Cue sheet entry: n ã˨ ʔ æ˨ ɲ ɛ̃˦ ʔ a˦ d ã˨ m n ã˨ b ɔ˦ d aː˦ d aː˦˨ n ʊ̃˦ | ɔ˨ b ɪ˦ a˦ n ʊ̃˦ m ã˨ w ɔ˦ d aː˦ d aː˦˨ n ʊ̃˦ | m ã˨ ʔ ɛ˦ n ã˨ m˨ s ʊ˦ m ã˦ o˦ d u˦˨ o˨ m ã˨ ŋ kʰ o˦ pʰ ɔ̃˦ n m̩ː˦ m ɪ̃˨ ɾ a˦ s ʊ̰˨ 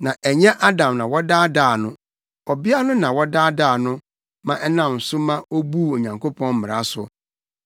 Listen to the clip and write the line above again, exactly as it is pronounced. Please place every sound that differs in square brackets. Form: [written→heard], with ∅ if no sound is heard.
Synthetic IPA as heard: n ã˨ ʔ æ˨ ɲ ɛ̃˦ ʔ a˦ d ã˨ m n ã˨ [b→w] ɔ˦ d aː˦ d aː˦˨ n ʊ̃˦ | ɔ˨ b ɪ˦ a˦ n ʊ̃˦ [m→n] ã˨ w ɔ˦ d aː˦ d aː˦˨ n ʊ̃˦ | m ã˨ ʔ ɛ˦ n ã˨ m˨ s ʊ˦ m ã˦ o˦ [d→b] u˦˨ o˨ [m→ɲ] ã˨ ŋ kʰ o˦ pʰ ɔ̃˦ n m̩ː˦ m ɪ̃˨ ɾ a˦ s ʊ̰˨